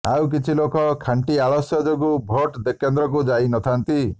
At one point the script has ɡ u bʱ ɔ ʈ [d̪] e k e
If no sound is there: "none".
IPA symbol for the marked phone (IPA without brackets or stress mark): d̪